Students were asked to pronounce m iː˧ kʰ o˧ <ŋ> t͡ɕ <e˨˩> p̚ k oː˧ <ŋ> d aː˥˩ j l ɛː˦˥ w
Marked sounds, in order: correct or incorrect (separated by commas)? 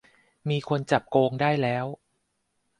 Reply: incorrect, incorrect, correct